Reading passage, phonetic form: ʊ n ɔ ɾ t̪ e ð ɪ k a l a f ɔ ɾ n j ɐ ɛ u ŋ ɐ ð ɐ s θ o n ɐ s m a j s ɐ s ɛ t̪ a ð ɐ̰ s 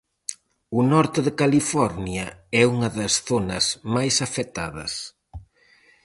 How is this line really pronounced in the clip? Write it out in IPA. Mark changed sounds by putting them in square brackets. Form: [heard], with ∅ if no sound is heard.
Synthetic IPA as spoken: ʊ n ɔ ɾ t̪ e ð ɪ k a l [i] f ɔ ɾ n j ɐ ɛ u ŋ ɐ ð ɐ s θ o n ɐ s m a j s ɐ [f] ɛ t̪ a ð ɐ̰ s